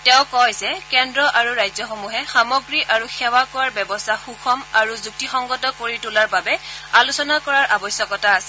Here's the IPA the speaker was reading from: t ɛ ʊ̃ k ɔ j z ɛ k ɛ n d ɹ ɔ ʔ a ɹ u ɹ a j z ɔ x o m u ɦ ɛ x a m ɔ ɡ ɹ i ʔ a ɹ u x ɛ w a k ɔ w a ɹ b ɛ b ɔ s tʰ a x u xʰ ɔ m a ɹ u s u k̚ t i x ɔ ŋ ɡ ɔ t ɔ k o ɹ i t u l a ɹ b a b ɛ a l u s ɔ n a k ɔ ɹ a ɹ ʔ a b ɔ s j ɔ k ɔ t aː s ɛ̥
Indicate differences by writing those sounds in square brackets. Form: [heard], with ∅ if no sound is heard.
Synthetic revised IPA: t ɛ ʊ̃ k ɔ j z ɛ k ɛ n d ɹ ɔ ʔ a ɹ u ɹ a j z ɔ x o m u ɦ ɛ x a m ɔ ɡ ɹ i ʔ a ɹ u x ɛ w a k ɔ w a ɹ b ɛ b ɔ s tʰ a x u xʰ ɔ m a ɹ u [z] u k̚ t i x ɔ ŋ ɡ ɔ t ɔ k o ɹ i t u l a ɹ b a b ɛ a l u s ɔ n a k ɔ ɹ a ɹ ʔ a b ɔ s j ɔ k ɔ t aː s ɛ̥